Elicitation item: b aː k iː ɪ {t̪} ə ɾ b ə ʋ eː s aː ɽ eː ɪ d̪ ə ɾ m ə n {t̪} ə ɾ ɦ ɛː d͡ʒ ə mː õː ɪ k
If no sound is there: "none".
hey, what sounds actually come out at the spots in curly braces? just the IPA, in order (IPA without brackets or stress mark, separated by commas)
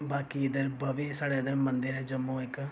d̪, d̪